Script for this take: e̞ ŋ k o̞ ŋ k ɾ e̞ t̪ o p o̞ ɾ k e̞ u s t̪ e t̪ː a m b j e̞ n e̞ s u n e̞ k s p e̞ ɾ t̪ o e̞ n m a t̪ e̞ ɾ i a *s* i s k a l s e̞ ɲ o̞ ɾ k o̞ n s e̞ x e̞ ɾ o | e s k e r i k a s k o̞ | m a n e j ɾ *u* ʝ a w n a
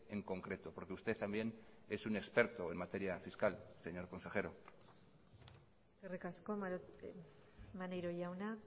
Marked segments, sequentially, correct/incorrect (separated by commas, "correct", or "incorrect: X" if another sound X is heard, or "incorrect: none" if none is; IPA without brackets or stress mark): incorrect: f, incorrect: o